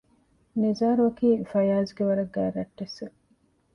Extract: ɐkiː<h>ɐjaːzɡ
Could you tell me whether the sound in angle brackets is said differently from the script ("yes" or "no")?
yes